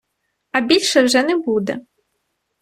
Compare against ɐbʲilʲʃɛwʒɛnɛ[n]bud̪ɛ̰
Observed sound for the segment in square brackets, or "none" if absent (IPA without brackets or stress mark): none